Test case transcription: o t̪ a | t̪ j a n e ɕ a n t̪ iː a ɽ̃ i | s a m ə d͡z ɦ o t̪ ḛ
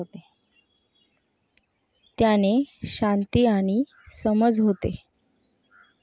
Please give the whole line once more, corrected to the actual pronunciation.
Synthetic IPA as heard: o t̪ e | t̪ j a n e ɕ a n t̪ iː a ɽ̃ i | s ə m ə d͡z ɦ o t̪ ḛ